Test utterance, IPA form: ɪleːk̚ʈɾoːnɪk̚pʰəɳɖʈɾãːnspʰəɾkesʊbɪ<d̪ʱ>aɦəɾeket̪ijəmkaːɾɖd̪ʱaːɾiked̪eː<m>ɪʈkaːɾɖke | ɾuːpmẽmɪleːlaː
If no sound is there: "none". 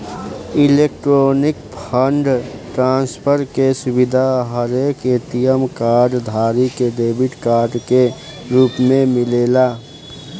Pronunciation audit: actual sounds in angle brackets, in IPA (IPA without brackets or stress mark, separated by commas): d̪ʱ, b